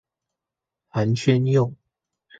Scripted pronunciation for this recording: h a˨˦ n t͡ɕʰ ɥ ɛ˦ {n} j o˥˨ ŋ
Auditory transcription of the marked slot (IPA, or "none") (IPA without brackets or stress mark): n